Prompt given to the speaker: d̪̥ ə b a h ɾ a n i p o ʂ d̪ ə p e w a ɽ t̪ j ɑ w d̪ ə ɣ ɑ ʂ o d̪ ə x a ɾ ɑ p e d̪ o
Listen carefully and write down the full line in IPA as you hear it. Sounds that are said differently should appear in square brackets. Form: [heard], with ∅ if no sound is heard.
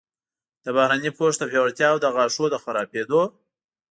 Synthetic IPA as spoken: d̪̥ ə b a h ɾ a n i p o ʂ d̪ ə p e w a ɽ t̪ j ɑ w d̪ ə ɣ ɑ ʂ o d̪ ə x a ɾ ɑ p e d̪ o